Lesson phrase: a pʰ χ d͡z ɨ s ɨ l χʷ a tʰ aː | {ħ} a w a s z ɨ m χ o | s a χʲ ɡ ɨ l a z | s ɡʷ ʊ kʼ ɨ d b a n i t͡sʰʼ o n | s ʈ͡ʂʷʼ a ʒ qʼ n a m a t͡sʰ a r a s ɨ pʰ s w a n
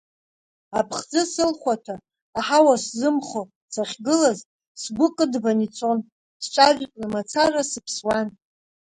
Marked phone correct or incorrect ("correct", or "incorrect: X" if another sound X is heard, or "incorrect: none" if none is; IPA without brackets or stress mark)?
correct